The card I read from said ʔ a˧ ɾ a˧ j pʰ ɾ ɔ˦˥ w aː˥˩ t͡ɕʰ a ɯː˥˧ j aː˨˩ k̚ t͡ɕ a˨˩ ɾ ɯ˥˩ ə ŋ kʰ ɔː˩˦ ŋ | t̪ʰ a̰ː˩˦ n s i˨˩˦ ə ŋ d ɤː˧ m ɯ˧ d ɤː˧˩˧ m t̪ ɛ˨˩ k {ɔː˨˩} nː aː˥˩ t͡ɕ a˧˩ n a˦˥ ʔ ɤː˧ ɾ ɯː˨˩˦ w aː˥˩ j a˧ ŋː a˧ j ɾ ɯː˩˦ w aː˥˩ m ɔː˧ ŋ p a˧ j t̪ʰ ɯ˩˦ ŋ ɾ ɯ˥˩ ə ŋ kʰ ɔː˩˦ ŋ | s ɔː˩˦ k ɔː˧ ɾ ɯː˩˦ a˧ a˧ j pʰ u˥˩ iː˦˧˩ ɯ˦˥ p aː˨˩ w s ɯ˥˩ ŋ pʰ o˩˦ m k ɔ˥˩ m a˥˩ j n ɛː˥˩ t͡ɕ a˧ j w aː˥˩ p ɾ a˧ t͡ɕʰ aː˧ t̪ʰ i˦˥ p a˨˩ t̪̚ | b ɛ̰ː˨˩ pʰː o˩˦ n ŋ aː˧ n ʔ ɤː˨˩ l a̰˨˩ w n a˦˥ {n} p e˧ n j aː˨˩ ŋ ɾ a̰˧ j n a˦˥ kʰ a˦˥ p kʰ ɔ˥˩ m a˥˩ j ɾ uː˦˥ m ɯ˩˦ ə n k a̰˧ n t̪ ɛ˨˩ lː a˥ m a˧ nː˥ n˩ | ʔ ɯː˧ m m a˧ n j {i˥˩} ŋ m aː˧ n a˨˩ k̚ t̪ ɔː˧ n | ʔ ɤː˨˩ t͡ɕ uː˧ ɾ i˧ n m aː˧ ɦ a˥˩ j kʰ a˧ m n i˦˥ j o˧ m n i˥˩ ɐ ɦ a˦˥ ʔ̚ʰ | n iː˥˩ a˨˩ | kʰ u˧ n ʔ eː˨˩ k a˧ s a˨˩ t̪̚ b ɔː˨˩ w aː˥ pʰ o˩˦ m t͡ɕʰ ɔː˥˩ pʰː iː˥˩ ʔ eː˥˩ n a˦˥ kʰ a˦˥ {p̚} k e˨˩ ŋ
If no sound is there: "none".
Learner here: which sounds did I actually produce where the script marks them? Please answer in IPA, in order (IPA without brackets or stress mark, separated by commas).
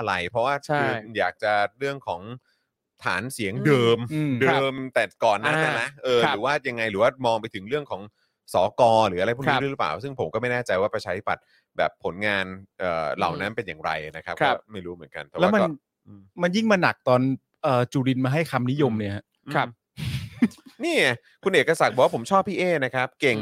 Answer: ɔː˨˩, n, i˥˩, p̚